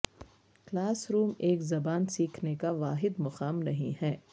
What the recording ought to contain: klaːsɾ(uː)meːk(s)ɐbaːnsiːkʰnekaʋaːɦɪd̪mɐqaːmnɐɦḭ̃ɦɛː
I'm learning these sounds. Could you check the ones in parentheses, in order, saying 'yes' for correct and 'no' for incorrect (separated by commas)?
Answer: yes, no